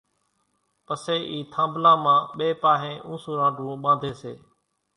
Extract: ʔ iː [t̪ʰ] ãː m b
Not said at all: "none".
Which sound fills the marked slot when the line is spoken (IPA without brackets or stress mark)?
t̪ʰ